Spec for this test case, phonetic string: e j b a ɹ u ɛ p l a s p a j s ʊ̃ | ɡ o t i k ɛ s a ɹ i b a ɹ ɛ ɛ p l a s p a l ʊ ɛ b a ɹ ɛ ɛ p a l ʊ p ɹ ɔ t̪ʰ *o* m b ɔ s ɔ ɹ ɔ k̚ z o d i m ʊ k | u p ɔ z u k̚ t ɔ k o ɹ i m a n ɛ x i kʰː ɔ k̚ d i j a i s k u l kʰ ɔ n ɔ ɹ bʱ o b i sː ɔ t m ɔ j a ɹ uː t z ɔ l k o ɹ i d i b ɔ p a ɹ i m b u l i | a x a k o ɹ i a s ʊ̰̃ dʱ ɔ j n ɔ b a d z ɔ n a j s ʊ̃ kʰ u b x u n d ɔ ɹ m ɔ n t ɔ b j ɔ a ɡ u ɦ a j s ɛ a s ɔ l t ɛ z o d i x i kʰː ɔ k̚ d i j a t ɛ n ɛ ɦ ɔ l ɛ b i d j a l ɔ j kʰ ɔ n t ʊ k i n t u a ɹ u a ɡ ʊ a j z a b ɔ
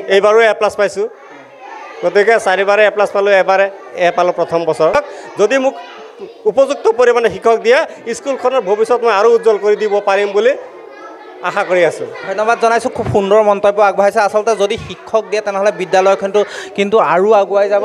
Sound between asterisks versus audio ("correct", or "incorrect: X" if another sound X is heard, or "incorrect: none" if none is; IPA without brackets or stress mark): incorrect: ɔ